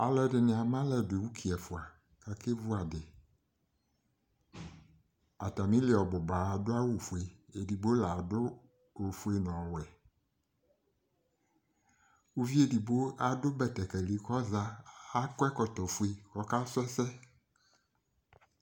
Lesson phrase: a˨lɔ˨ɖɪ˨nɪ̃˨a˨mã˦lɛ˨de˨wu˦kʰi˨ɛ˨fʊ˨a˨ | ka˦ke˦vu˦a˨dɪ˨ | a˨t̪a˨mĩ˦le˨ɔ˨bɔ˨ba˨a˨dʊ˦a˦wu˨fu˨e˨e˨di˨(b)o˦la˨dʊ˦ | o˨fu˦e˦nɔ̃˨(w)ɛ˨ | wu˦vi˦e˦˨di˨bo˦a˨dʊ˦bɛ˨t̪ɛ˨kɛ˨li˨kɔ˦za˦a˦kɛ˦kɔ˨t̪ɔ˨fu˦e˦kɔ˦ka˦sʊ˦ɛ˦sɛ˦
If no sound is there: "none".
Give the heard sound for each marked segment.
b, w

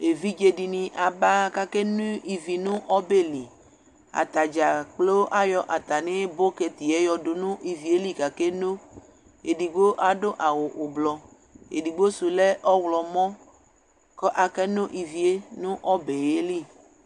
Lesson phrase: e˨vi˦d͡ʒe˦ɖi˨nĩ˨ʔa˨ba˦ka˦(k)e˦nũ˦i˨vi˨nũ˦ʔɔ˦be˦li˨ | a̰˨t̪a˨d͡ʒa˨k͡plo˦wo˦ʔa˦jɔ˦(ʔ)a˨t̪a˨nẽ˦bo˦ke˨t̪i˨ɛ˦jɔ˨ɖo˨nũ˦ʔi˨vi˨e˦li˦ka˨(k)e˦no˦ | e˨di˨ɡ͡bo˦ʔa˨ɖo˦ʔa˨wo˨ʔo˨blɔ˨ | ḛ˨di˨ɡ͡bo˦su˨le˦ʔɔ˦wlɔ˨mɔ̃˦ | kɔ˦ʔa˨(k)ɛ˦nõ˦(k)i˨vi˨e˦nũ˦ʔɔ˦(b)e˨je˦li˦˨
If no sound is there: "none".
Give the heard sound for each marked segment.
k, ʔ, k, k, ʔ, b

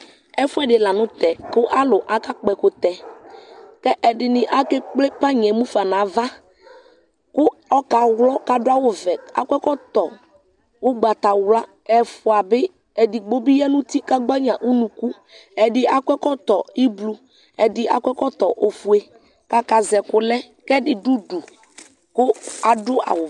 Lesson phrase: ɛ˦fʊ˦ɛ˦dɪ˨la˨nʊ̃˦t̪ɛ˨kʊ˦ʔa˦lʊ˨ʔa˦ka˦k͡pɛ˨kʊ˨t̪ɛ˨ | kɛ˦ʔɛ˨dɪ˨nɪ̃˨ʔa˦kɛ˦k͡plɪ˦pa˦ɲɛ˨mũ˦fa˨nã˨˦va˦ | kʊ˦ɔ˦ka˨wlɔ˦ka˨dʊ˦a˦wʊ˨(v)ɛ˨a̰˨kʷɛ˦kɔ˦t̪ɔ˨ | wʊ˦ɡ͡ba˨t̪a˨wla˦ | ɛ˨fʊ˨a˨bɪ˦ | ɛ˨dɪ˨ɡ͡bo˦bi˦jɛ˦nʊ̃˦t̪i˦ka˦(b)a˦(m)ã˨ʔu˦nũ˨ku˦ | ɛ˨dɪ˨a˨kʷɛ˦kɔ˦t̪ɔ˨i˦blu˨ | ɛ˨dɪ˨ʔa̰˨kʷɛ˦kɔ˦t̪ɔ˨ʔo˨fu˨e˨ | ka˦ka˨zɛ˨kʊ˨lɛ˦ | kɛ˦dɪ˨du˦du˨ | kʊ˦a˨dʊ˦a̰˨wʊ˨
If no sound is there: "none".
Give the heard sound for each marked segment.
v, ɡ͡b, ɲ

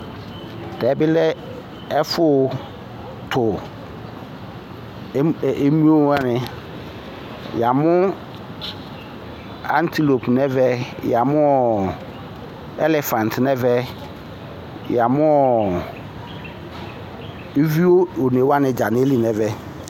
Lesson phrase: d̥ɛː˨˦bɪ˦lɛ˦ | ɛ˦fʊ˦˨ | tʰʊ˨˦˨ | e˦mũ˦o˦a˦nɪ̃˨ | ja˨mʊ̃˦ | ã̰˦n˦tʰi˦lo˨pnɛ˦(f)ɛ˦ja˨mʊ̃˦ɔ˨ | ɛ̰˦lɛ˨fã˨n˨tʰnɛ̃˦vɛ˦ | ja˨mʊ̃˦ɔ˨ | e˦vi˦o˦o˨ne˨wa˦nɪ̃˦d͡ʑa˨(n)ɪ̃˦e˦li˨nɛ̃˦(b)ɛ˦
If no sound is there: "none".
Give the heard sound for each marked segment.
v, n, v

